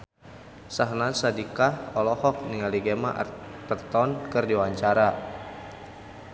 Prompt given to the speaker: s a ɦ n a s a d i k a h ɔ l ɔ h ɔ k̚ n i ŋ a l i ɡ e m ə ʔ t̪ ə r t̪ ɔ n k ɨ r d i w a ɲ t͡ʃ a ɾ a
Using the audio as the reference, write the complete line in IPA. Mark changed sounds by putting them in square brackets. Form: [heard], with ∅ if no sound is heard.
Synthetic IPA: s a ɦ n a s a d i k a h ɔ l ɔ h ɔ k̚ n i ŋ a l i ɡ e m [a] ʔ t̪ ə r t̪ ɔ n k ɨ r d i w a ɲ t͡ʃ a ɾ a

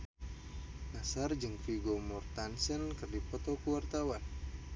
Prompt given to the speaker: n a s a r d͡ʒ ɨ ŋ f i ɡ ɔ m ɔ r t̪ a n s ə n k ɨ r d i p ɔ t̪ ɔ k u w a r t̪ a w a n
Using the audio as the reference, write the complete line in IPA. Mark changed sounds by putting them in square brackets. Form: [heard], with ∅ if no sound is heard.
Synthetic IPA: n a s a r d͡ʒ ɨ ŋ f i ɡ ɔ m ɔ r t̪ a n s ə n k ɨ r d i p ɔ t̪ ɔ k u w a r t̪ a w a n

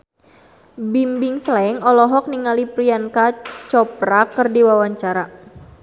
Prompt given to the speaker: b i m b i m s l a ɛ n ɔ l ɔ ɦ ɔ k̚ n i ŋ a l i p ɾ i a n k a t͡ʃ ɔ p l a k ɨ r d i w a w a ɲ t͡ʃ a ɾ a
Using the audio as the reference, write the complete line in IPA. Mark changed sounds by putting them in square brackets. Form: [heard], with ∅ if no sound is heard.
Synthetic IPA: b i m b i [ŋ] s l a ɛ [ŋ] ɔ l ɔ ɦ ɔ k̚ n i ŋ a l i p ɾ i a n k a t͡ʃ ɔ p [ɾ] a k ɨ r d i w a w a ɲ t͡ʃ a ɾ a

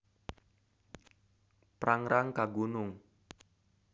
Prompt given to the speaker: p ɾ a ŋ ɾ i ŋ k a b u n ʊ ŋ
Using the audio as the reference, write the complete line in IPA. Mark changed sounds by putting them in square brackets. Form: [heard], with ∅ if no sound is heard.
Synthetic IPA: p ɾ a ŋ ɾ [a] ŋ k a [ɡ] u n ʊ ŋ

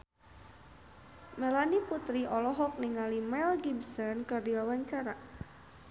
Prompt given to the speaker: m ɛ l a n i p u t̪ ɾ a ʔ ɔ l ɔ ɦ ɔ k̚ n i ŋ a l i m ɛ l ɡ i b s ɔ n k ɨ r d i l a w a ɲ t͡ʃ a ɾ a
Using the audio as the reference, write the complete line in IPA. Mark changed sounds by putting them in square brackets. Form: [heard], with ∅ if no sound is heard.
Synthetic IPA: m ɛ l a n i p u t̪ ɾ [i] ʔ ɔ l ɔ ɦ ɔ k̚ n i ŋ a l i m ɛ l ɡ i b s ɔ n k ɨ r d i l a w a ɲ t͡ʃ a ɾ a

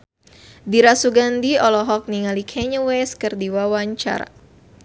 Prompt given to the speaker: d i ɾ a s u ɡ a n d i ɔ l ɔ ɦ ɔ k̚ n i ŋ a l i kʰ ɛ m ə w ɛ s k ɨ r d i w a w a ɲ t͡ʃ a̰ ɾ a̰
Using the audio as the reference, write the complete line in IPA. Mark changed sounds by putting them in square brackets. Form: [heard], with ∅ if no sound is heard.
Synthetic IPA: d i ɾ a s u ɡ a n d i ɔ l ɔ ɦ ɔ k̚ n i ŋ a l i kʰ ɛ [ɲ] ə w ɛ s k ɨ r d i w a w a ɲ t͡ʃ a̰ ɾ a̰

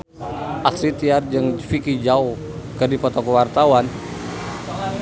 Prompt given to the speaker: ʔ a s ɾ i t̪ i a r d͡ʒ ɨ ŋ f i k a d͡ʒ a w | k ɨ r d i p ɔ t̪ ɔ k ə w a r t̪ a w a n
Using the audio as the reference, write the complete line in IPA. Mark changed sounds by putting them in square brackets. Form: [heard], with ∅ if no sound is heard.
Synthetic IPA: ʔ a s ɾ i t̪ i a r d͡ʒ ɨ ŋ f i k [i] d͡ʒ a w | k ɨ r d i p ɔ t̪ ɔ k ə w a r t̪ a w a n

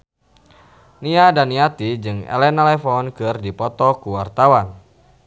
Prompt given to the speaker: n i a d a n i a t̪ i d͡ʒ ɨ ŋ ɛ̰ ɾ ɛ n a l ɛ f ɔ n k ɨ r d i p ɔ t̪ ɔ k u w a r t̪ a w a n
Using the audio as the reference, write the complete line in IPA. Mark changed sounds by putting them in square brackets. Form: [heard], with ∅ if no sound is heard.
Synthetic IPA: n i a d a n i a t̪ i d͡ʒ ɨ ŋ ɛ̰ [l] ɛ n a l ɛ f ɔ n k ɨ r d i p ɔ t̪ ɔ k u w a r t̪ a w a n

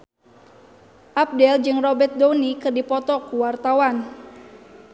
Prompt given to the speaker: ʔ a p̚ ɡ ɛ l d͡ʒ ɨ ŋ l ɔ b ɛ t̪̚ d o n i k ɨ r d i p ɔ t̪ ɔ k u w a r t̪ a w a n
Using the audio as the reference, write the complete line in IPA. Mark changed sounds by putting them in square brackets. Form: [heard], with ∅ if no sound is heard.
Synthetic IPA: ʔ a p̚ [d] ɛ l d͡ʒ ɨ ŋ [r] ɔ b ɛ t̪̚ d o n i k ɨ r d i p ɔ t̪ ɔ k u w a r t̪ a w a n

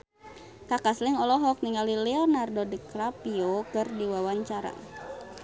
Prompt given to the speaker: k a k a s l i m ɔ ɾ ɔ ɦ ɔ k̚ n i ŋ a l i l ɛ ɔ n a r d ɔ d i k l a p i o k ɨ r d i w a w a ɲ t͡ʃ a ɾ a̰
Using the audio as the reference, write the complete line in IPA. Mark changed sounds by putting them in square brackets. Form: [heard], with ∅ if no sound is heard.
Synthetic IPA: k a k a s l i [ŋ] ɔ [l] ɔ ɦ ɔ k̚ n i ŋ a l i l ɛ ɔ n a r d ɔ d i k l a p i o k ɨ r d i w a w a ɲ t͡ʃ a ɾ a̰

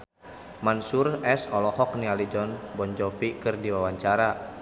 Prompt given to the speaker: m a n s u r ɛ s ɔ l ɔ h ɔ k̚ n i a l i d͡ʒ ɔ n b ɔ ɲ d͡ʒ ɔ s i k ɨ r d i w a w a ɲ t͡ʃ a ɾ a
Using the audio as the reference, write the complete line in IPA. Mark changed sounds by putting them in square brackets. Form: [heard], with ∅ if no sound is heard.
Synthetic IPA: m a n s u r ɛ s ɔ l ɔ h ɔ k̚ n i a l i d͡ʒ ɔ n b ɔ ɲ d͡ʒ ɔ [f] i k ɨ r d i w a w a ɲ t͡ʃ a ɾ a

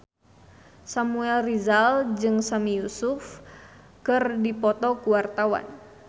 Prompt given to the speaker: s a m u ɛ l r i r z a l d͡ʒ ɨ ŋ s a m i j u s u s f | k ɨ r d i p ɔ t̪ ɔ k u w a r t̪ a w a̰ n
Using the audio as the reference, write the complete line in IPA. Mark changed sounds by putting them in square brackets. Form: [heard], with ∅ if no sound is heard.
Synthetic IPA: s a m u ɛ l r i [∅] z a l d͡ʒ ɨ ŋ s a m i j u s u [∅] f | k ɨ r d i p ɔ t̪ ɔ k u w a r t̪ a w a̰ n

